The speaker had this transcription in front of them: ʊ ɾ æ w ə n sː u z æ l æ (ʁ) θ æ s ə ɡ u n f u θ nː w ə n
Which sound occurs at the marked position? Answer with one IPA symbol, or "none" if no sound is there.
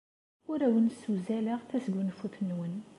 ʁ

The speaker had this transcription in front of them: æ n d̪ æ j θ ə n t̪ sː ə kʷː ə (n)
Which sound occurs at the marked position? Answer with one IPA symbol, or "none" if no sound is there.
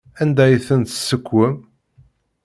m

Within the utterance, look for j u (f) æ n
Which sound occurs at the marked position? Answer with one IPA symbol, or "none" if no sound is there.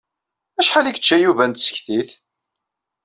v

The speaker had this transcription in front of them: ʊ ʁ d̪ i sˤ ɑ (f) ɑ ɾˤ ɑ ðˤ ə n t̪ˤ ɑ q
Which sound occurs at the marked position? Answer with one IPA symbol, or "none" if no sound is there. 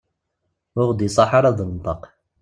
ħ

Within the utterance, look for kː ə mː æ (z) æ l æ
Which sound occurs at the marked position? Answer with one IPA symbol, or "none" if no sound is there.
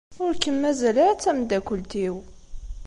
z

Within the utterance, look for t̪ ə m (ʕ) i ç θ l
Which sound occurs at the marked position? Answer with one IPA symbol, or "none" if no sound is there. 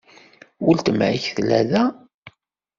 ʕ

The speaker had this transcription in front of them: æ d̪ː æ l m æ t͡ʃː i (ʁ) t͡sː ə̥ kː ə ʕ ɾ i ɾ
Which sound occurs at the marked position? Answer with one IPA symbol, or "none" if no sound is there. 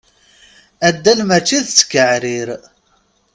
ð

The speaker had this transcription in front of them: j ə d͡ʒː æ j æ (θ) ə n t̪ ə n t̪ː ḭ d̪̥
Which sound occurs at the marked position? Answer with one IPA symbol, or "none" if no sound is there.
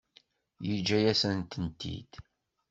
s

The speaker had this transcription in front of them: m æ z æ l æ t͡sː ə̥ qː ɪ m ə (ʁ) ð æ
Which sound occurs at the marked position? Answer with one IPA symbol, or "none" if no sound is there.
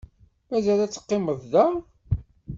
ð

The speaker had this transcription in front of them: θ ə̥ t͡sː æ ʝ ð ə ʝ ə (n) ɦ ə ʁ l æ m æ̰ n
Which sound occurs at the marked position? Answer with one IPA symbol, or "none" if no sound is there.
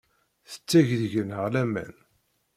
n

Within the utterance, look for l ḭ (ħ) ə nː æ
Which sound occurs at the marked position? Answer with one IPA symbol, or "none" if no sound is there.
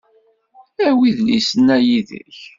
s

